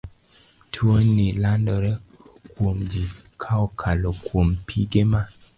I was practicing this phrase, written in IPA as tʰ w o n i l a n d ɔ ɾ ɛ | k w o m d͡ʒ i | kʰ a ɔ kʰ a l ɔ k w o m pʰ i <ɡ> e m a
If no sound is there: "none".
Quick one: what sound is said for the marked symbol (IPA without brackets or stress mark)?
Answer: ɡ